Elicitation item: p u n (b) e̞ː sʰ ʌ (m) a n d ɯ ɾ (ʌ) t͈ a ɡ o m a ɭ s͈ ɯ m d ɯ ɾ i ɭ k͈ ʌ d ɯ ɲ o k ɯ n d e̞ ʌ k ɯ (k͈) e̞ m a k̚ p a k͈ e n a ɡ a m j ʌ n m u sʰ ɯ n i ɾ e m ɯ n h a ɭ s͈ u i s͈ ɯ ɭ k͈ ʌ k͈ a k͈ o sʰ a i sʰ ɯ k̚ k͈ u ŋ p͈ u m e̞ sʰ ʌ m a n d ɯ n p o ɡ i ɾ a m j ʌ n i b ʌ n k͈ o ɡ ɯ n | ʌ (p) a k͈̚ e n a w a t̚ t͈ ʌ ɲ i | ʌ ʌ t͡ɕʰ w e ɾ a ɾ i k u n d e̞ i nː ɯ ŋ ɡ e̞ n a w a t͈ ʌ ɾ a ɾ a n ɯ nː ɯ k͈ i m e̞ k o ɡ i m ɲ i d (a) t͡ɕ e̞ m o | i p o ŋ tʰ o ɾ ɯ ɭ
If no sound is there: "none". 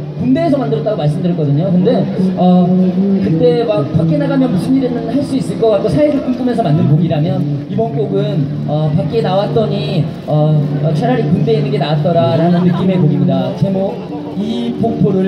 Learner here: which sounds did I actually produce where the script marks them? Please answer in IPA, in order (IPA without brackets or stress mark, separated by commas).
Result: d, m, ʌ, t͈, p, a